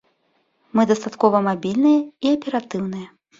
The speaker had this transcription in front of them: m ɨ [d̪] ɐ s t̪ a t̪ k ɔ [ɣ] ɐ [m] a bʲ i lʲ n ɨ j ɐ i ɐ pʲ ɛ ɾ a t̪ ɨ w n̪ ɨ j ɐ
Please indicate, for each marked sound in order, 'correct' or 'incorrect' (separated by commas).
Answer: correct, incorrect, correct